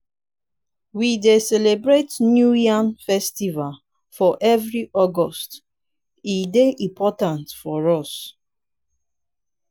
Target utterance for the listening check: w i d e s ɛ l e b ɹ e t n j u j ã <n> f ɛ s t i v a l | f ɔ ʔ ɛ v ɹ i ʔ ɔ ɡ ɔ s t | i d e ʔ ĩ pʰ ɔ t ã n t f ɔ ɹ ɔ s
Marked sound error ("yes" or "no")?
no